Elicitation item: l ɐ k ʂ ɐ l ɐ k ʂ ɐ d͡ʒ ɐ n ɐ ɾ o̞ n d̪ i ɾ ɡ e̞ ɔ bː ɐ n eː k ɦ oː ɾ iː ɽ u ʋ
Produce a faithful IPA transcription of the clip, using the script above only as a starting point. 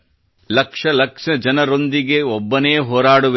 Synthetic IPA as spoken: l ɐ k ʂ ɐ l ɐ k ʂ ɐ d͡ʒ ɐ n ɐ ɾ o̞ n d̪ i ɡ e̞ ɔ bː ɐ n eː ɦ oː ɾ aː ɽ u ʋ